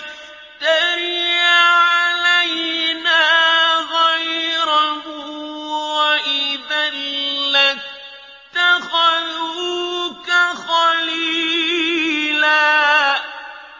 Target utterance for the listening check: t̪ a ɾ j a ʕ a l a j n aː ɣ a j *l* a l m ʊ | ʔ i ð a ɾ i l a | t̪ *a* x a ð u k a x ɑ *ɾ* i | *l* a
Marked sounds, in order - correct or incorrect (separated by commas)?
incorrect, correct, incorrect, correct